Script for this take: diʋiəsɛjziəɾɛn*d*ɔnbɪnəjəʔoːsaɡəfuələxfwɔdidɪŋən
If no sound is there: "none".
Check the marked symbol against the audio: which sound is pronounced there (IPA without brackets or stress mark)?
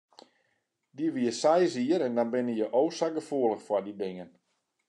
d